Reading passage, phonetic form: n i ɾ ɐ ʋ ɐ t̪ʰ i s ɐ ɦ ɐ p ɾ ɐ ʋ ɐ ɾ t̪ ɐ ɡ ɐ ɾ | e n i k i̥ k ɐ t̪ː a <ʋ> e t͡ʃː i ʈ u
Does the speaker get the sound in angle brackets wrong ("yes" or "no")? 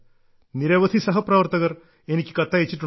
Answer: yes